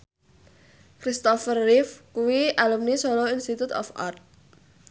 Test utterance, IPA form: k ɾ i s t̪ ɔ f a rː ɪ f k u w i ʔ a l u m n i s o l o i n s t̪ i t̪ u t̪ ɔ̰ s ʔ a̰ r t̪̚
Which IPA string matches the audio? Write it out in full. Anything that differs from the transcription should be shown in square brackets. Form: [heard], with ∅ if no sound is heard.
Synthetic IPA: k ɾ i s t̪ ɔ f [ə] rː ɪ f k u w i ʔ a l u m n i s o l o i n s t̪ i t̪ u t̪ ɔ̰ [f] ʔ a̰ r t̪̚